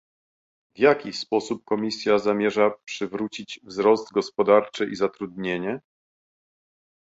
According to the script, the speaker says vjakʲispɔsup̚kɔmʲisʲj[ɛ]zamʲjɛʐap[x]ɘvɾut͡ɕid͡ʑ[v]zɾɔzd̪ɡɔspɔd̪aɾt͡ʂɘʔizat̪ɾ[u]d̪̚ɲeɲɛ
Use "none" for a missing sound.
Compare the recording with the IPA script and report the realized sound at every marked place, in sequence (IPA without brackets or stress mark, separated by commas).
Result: a, ʂ, v, u